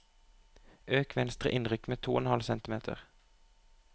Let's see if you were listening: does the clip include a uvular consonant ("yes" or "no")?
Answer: yes